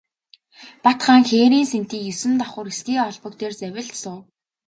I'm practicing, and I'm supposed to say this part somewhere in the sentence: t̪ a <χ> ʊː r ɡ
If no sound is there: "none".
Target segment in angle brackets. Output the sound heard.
χ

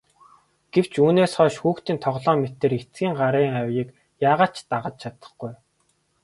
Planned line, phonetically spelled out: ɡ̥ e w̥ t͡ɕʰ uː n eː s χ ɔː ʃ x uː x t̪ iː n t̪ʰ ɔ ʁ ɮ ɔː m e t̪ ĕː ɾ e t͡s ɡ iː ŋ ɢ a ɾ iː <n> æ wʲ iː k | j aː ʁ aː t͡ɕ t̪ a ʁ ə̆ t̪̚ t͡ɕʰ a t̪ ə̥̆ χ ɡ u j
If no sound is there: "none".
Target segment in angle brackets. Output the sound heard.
ŋ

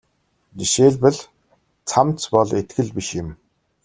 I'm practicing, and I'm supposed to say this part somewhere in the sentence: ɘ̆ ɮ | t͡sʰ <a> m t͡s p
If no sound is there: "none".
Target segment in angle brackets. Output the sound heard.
a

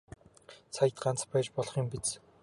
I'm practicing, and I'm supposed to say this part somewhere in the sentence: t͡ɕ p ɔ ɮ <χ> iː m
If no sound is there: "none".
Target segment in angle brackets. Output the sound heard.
χ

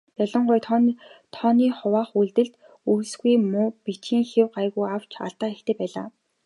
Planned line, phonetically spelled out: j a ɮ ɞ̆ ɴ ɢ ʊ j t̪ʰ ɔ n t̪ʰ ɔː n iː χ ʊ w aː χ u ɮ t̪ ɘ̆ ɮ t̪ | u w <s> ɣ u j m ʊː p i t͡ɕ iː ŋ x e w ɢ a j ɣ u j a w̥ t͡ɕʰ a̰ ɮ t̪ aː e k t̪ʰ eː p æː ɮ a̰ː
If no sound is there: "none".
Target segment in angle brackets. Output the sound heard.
s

